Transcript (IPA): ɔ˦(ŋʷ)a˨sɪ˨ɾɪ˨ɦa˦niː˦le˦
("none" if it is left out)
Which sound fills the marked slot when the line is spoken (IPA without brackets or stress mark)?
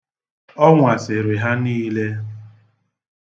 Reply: ŋʷ